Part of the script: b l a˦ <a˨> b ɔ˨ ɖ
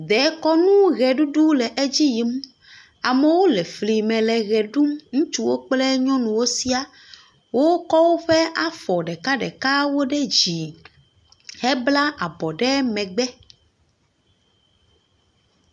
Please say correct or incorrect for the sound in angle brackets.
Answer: correct